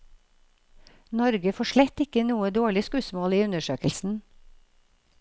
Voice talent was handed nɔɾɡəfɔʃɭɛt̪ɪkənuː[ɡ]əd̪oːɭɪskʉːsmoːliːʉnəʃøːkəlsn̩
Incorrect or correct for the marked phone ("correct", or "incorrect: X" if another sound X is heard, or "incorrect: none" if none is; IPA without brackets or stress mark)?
incorrect: none